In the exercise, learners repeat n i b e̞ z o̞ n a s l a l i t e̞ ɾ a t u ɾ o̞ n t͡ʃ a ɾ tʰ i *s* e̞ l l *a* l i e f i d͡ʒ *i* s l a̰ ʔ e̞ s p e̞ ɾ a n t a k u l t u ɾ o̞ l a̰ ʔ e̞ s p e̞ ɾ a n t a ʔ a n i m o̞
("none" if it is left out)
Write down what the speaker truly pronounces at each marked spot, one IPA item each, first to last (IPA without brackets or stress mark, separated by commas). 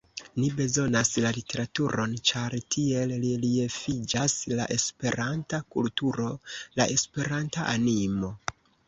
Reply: none, i, a